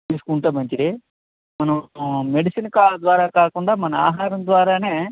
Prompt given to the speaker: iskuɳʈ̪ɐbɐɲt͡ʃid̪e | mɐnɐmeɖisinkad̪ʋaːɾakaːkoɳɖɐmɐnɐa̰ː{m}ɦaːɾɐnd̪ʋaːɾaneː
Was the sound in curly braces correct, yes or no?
no